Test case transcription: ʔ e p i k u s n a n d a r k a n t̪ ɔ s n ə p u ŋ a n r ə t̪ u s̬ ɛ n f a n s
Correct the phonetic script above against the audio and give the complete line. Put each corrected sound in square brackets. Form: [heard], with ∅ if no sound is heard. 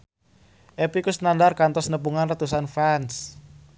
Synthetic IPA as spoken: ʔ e p i k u s n a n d a r k a n t̪ ɔ s n ə p u ŋ a n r ə t̪ u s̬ [a] n f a n s